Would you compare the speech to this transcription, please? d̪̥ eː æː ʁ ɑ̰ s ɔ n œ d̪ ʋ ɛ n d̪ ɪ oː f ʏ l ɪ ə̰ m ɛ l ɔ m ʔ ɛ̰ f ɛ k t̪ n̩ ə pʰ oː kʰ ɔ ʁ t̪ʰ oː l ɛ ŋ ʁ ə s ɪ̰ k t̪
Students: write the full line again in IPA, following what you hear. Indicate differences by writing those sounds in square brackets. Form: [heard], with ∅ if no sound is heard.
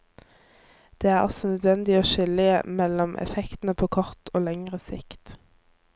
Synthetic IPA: d̪̥ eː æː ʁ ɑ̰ s ɔ n œ d̪ ʋ ɛ n d̪ ɪ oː [ʃ] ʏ l ɪ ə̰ m ɛ l ɔ m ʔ ɛ̰ f ɛ k t̪ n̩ ə pʰ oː kʰ ɔ ʁ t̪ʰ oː l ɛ ŋ ʁ ə s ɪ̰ k t̪